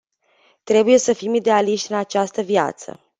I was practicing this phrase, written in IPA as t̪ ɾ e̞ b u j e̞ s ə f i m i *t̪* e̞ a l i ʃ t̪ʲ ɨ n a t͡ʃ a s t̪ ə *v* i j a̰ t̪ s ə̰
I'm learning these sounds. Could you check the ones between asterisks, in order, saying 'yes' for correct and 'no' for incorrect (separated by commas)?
no, yes